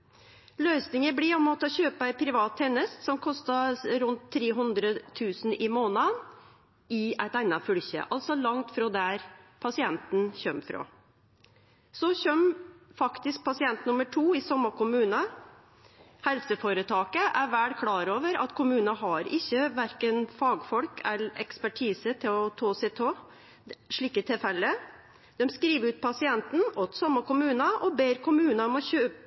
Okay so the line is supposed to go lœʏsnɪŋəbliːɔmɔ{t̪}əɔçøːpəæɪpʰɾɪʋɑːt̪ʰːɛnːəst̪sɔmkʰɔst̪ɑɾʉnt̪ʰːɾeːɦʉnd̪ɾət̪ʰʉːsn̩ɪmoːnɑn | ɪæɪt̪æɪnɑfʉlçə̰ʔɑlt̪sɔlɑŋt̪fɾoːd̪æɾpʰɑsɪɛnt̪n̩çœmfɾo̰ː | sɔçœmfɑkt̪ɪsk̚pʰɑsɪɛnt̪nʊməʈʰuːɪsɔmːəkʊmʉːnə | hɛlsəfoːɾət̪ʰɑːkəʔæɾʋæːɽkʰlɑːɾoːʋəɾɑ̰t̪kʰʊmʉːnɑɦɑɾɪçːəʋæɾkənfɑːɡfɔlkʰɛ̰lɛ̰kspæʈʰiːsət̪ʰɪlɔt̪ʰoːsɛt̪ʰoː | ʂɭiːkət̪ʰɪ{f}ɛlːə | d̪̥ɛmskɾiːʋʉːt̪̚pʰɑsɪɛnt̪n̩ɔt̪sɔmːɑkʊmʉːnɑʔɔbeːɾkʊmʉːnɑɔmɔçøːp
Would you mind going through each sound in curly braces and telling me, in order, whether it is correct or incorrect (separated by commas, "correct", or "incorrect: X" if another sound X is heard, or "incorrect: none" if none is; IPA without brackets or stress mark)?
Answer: correct, correct